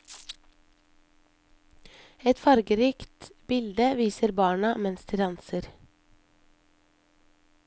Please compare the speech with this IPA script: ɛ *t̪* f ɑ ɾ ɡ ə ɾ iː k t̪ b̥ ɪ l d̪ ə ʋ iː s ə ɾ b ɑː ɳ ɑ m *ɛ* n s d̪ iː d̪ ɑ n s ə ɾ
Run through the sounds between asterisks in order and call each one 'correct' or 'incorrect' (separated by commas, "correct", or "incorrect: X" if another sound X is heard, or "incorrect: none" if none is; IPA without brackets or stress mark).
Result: correct, correct